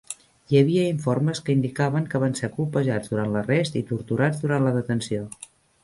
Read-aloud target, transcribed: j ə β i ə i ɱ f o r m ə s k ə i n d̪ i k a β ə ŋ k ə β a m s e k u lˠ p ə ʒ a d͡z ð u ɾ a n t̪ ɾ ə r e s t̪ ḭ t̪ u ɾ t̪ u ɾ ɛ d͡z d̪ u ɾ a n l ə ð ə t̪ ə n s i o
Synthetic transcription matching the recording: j ə β i ə i ɱ f o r m ə s k ə i n d̪ i k a β ə ŋ k ə β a n s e k u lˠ p ə ʒ a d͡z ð u ɾ a n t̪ l ə r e s t̪ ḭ t̪ u ɾ t̪ u ɾ a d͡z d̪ u ɾ a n l ə ð ə t̪ ə n s i o